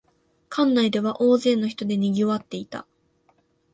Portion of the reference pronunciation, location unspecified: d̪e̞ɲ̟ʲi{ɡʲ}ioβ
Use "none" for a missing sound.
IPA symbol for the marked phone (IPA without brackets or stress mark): ɡʲ